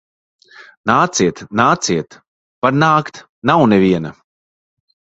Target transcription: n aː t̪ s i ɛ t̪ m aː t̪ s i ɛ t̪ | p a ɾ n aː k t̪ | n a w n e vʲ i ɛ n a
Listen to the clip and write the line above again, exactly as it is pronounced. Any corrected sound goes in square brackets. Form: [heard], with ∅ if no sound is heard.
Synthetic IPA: n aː t̪ s i ɛ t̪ [n] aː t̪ s i ɛ t̪ | p a ɾ n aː k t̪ | n a w n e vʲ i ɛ n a